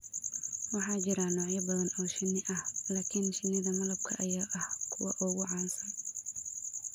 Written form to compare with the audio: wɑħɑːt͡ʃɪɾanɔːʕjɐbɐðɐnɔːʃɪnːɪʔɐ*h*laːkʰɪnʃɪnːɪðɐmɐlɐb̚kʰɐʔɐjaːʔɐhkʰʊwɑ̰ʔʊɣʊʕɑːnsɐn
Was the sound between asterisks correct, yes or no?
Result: yes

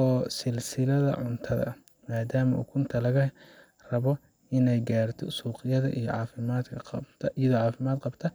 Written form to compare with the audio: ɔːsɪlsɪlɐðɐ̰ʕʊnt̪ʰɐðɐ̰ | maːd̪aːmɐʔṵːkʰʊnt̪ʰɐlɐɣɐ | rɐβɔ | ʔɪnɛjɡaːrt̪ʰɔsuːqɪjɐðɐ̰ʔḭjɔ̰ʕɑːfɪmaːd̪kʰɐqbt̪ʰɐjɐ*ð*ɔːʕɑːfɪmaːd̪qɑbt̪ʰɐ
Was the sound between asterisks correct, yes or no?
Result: yes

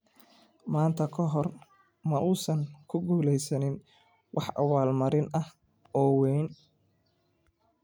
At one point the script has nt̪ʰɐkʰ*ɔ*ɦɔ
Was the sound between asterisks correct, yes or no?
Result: yes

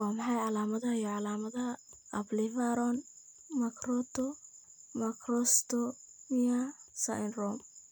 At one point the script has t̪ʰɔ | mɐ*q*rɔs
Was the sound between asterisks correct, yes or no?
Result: no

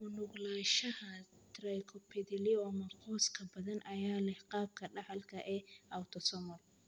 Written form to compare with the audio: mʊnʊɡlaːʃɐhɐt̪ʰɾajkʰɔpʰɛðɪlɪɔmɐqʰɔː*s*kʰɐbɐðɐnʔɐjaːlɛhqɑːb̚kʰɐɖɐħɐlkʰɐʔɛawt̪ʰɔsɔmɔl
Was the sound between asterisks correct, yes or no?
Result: yes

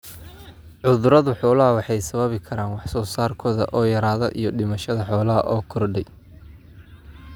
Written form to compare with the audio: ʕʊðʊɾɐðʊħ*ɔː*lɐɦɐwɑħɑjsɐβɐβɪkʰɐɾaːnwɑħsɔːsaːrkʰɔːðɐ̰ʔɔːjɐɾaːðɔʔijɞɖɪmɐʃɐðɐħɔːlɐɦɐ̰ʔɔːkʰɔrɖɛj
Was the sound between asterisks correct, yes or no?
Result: yes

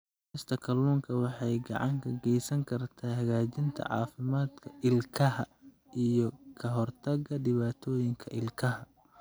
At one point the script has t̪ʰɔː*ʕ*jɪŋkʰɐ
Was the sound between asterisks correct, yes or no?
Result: no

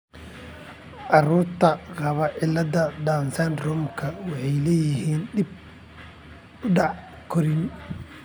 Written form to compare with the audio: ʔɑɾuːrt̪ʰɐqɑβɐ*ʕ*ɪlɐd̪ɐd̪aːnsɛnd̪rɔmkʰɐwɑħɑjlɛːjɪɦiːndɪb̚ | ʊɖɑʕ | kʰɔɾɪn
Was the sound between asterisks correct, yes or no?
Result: yes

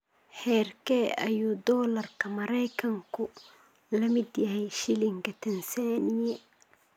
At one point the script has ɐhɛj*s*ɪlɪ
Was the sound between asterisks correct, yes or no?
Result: no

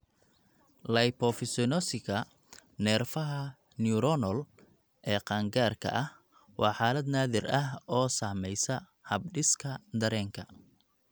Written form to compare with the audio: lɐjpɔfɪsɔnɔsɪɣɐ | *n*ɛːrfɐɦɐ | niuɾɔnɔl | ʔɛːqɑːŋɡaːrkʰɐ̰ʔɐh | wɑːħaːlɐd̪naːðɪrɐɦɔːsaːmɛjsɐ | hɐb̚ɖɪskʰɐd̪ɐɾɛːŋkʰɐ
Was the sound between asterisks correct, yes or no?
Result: yes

